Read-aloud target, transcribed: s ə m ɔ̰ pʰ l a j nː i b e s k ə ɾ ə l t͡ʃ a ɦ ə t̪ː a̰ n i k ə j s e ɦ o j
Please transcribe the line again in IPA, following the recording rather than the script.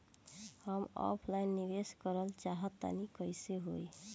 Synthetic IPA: h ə m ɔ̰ pʰ l a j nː i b e s k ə ɾ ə l t͡ʃ a ɦ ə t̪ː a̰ n i k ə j s e ɦ o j